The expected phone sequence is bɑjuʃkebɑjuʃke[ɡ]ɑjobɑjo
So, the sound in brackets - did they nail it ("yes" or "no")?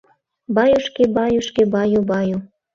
no